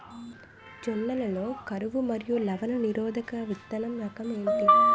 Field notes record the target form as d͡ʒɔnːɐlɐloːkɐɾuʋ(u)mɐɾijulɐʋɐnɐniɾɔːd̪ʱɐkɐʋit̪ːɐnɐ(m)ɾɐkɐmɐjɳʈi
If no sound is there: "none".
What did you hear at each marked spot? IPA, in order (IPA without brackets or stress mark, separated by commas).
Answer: u, m